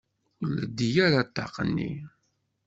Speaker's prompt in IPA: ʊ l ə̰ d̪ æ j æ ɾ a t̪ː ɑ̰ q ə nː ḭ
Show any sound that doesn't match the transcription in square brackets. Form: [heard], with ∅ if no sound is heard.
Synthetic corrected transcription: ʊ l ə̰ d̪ [i] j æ ɾ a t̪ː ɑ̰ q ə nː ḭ